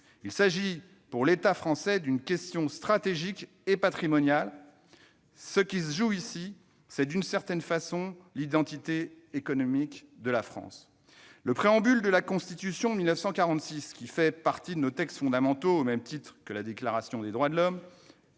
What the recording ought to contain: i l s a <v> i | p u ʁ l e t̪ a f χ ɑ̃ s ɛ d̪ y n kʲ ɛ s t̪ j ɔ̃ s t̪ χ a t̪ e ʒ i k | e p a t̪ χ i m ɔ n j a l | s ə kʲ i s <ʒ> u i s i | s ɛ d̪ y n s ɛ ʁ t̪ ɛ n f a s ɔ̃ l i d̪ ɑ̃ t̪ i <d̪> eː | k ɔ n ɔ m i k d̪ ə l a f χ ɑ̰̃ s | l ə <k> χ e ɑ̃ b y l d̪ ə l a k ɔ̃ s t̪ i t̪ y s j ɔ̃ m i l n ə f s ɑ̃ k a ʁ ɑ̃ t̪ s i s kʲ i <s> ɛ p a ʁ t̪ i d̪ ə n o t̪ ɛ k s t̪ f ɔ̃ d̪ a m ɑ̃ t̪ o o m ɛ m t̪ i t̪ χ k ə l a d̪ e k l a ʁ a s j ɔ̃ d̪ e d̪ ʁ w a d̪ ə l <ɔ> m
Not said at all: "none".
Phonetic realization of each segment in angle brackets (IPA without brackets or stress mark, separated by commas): ʒ, ʒ, t̪, p, f, ɔ